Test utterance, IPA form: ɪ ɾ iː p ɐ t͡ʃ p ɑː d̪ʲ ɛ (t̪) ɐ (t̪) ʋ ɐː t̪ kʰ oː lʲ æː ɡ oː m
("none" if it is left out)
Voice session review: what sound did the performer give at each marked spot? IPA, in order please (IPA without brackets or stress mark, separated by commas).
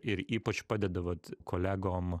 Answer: d̪, none